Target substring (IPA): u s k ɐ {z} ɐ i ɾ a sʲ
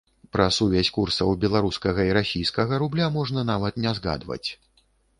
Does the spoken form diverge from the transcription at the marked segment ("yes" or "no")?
yes